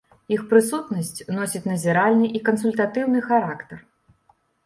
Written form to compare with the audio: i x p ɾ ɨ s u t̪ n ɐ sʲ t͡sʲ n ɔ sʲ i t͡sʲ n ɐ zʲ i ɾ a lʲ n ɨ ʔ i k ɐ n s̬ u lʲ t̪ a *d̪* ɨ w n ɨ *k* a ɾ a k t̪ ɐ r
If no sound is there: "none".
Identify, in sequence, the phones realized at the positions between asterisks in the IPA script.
t̪, x

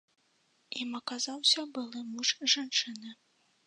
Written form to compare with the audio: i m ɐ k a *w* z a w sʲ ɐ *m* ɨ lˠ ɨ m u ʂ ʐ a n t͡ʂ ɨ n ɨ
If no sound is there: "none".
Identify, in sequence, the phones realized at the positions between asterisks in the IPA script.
none, b

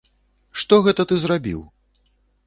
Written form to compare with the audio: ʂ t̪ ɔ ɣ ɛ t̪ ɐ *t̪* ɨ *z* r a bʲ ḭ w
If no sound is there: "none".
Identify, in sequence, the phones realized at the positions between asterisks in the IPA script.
t̪, z

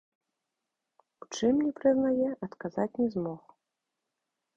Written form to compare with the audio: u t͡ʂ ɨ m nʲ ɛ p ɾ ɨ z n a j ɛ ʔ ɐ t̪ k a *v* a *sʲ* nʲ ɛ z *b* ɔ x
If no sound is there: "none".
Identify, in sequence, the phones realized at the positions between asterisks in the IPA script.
z, t͡sʲ, m

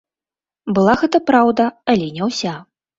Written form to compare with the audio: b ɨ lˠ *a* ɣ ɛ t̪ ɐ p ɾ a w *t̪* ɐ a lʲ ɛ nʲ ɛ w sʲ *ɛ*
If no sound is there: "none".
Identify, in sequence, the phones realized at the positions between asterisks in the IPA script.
a, d̪, a

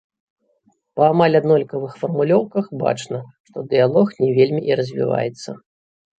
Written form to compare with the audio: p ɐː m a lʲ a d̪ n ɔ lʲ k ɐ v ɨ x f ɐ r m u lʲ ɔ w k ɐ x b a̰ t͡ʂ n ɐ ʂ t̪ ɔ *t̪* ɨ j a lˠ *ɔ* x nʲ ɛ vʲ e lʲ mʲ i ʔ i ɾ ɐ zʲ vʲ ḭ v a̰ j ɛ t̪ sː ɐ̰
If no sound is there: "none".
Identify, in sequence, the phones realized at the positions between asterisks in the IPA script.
d̪, ɔ

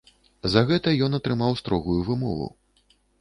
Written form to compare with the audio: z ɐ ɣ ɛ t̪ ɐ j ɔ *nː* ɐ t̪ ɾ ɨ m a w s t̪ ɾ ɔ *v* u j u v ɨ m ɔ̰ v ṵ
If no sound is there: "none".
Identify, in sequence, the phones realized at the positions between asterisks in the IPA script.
n, ɣ

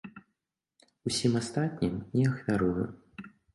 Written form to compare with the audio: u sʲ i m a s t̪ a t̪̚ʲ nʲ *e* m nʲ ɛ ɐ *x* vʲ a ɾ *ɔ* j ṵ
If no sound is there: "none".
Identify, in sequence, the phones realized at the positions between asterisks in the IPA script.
i, x, u

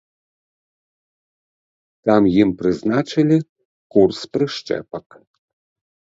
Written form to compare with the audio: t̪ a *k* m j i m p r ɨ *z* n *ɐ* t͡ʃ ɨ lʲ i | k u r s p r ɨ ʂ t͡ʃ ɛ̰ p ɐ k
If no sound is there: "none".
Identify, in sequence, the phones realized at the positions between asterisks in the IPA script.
none, z, a

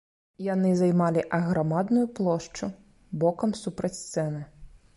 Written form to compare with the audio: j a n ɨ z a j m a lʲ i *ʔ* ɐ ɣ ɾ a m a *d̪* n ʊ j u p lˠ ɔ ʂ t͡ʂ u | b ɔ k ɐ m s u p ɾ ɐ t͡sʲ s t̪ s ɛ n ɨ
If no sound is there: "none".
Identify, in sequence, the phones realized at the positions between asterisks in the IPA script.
ʔ, d̪

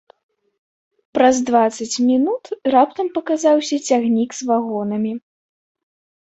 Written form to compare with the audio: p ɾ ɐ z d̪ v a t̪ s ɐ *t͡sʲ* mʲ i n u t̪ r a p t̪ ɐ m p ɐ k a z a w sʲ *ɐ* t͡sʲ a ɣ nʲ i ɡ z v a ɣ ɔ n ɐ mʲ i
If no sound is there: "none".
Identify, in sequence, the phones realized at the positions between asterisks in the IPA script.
t͡sʲ, ɐ

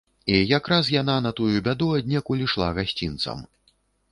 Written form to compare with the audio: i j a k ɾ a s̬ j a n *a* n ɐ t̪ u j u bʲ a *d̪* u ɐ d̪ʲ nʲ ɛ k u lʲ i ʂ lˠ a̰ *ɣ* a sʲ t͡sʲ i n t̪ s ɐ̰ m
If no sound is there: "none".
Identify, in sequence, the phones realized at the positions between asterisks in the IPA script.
a, d̪, ɣ

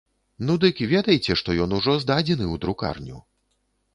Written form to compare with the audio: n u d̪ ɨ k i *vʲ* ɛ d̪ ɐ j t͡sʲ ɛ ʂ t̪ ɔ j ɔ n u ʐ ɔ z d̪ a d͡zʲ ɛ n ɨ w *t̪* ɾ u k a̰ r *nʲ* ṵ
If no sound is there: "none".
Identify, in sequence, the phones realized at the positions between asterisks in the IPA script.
vʲ, d̪, nʲ

